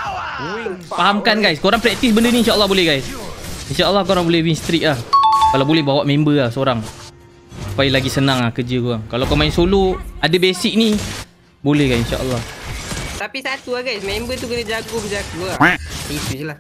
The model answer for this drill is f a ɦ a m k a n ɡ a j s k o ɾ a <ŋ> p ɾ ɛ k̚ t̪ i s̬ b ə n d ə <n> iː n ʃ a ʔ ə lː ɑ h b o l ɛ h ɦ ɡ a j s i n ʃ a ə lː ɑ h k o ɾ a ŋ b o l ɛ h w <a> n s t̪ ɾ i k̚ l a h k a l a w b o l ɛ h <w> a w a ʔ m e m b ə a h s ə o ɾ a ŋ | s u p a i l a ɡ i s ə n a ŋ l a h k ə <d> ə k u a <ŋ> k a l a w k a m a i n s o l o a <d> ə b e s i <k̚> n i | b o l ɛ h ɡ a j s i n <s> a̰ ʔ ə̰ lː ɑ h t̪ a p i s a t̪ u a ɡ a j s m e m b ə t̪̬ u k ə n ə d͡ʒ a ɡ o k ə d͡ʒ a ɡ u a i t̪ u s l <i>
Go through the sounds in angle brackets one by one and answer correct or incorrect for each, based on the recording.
correct, correct, incorrect: i, incorrect: b, incorrect: d͡ʒ, correct, correct, correct, incorrect: ʃ, incorrect: a

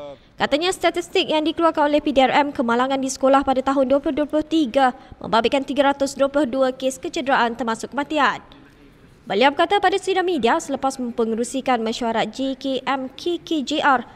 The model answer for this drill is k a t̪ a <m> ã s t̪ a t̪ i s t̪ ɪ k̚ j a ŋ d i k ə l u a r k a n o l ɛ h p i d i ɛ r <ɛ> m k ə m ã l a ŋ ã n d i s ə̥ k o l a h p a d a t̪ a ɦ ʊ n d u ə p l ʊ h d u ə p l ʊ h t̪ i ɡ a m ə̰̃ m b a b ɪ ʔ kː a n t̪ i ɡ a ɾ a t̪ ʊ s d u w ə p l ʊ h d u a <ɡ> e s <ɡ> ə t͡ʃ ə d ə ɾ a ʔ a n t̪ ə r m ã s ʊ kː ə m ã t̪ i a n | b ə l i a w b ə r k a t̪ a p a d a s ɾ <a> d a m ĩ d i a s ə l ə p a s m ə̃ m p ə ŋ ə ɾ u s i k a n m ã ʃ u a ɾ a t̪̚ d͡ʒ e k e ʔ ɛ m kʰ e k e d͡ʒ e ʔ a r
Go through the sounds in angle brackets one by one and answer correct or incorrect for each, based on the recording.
incorrect: ɲ, correct, incorrect: k, incorrect: k, incorrect: i

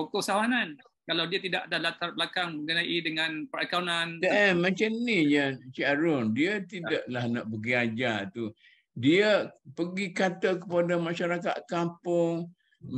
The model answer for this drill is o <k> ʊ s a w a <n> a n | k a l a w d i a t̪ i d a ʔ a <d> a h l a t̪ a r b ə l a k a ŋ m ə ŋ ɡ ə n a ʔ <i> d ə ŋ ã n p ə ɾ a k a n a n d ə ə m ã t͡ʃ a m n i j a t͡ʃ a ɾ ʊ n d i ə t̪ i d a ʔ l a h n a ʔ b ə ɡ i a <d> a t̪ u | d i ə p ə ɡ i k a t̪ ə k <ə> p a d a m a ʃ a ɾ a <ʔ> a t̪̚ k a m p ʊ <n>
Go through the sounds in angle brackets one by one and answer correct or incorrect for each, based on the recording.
correct, correct, correct, correct, incorrect: d͡ʒ, correct, incorrect: k, incorrect: ŋ

